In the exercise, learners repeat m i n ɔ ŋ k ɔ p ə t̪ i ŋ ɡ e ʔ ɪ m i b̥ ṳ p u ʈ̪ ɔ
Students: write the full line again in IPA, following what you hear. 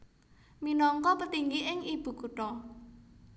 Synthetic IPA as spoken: m i n ɔ ŋ k ɔ p ə t̪ i ŋ ɡ i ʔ ɪ ŋ i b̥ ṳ k u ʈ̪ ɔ